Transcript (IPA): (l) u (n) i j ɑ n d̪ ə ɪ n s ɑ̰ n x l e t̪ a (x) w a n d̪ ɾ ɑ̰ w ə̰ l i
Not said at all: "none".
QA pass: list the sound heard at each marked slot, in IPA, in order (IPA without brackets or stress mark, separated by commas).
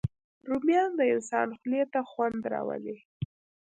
ɾ, m, x